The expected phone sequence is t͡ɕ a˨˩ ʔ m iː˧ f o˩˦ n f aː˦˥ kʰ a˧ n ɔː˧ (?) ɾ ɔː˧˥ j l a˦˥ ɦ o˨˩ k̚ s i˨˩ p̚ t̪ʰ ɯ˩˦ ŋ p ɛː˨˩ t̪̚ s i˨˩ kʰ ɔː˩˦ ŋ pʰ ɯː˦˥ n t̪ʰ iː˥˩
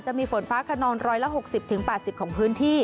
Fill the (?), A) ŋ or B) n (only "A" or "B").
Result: B